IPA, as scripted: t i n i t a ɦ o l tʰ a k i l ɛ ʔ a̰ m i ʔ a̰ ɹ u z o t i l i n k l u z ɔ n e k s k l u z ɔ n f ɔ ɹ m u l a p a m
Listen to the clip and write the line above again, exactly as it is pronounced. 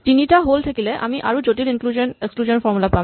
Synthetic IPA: t i n i t a ɦ o l tʰ a k i l ɛ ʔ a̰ m i ʔ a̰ ɹ u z o t i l i n k l u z ɔ n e k s k l u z ɔ n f ɔ ɹ m u l a p a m